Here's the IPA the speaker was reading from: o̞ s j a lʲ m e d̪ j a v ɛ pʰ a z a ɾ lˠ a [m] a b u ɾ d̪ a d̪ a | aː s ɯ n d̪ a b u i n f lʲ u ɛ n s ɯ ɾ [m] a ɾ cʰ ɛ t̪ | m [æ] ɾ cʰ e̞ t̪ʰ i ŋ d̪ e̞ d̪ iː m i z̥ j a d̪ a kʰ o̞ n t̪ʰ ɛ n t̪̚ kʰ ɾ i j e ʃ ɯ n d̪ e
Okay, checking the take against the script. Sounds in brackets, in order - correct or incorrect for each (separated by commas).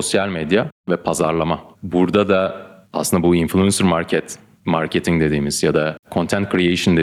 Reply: correct, correct, incorrect